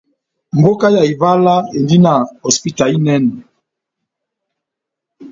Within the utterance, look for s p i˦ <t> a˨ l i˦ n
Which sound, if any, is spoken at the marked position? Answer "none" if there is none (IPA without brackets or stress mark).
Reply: t